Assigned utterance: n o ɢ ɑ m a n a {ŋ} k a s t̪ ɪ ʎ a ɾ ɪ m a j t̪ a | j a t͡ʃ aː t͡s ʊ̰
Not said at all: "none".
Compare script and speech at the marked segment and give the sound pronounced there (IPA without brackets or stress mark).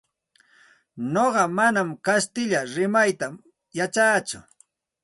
m